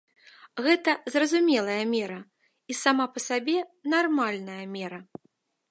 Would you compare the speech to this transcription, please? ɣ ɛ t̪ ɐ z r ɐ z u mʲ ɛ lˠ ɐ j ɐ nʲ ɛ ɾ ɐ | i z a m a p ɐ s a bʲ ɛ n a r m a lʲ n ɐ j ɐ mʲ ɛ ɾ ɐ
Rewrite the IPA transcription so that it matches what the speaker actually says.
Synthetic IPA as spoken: ɣ ɛ t̪ ɐ z r ɐ z u mʲ ɛ lˠ ɐ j ɐ mʲ ɛ ɾ ɐ | i s a m a p ɐ s a bʲ ɛ n a r m a lʲ n ɐ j ɐ mʲ ɛ ɾ ɐ

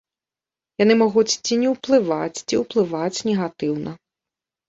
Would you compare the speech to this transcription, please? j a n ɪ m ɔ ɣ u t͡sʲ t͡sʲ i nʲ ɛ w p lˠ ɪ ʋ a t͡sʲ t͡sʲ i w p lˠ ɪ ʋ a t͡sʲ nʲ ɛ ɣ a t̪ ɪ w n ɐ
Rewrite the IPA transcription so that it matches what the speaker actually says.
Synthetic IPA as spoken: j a n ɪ m ɔ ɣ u t͡sʲ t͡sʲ i nʲ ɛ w p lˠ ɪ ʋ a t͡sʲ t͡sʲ i w p lˠ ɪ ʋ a t͡sʲ nʲ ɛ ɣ a t̪ ɪ w n ɐ

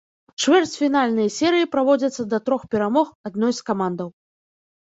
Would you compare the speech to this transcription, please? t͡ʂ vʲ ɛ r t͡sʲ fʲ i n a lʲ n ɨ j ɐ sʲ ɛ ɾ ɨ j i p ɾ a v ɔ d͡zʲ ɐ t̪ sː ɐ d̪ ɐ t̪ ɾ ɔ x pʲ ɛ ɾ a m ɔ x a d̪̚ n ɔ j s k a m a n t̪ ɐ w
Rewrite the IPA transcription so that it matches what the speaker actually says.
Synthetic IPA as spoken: t͡ʂ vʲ ɛ r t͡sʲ fʲ i n a lʲ n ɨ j ɐ sʲ ɛ ɾ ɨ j i p ɾ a v ɔ d͡zʲ ɐ t̪ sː ɐ d̪ ɐ t̪ ɾ ɔ x pʲ ɛ ɾ a m ɔ x a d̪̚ n ɔ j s k a m a n d̪ ɐ w

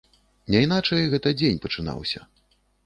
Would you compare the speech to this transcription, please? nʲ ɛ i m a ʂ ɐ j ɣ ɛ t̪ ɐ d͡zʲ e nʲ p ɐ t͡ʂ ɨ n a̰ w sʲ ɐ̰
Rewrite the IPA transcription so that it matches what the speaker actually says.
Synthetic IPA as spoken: nʲ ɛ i n a t͡ʂ ɐ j ɣ ɛ t̪ ɐ d͡zʲ e nʲ p ɐ t͡ʂ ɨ n a̰ w sʲ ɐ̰

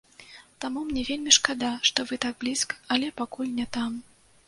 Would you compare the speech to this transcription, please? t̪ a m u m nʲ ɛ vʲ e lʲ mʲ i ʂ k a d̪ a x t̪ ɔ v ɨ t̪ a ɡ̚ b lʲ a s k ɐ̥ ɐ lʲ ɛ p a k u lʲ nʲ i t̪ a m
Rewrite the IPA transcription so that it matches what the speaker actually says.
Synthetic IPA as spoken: t̪ a m u m nʲ ɛ vʲ e lʲ mʲ i ʂ k a d̪ a ʂ t̪ ɔ v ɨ t̪ a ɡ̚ b lʲ i s k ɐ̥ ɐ lʲ ɛ p a k u lʲ nʲ ɛ t̪ a m

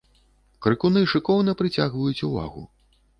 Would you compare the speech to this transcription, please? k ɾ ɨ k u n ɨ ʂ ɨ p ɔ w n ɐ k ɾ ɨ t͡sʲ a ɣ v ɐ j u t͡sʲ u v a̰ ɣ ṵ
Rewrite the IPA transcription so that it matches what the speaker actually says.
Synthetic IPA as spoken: k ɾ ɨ k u n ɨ ʂ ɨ k ɔ w n ɐ p ɾ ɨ t͡sʲ a ɣ v ɐ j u t͡sʲ u v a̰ ɣ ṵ

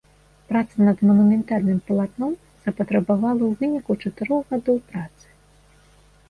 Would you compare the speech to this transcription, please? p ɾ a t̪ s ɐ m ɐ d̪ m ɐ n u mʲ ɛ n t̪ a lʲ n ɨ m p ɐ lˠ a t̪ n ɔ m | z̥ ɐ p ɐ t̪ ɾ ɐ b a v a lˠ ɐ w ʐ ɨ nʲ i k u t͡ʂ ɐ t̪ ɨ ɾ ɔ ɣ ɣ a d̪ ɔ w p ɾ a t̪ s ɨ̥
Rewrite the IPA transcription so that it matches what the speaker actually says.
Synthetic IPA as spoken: p ɾ a t̪ s ɐ n ɐ d̪ m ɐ n u mʲ ɛ n t̪ a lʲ n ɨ m p ɐ lˠ a t̪ n ɔ m | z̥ ɐ p ɐ t̪ ɾ ɐ b a v a lˠ ɐ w v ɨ nʲ i k u t͡ʂ ɐ t̪ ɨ ɾ ɔ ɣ ɣ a d̪ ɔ w p ɾ a t̪ s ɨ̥

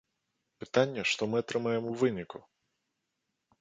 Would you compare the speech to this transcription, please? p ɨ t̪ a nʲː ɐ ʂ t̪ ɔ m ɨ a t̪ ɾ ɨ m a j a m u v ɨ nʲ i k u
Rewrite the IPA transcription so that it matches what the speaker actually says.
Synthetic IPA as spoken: p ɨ t̪ a nʲː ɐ ʂ t̪ ɔ m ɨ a t̪ ɾ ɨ m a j ɛ m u v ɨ nʲ i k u

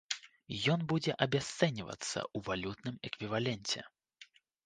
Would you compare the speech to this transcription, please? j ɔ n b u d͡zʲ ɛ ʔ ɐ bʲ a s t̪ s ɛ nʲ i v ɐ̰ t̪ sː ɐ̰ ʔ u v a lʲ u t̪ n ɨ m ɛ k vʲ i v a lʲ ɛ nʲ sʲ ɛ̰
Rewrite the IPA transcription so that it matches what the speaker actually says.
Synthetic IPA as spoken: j ɔ n b u d͡zʲ ɛ ʔ ɐ bʲ a s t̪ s ɛ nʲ i v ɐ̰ t̪ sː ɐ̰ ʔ u v a lʲ u t̪ n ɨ m ɛ k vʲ i v a lʲ ɛ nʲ t͡sʲ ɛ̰

